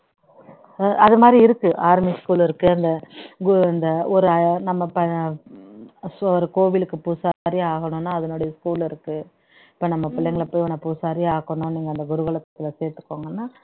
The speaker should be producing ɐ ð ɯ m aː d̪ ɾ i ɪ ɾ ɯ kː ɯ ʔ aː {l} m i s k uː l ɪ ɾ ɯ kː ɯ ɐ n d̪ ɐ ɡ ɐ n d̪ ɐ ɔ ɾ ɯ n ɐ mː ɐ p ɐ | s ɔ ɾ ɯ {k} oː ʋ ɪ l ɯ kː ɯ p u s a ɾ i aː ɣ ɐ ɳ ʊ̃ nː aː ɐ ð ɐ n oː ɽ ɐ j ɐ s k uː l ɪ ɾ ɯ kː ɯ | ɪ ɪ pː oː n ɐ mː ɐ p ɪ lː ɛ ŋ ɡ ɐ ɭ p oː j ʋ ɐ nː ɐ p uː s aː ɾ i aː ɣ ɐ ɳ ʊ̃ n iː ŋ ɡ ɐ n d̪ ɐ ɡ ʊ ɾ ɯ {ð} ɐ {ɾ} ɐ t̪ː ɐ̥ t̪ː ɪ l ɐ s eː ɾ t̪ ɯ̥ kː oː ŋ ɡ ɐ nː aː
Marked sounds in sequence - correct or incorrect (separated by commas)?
incorrect, correct, incorrect, incorrect